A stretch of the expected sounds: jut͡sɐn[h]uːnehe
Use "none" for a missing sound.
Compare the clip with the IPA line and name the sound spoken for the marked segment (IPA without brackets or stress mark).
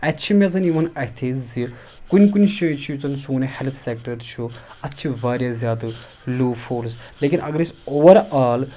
s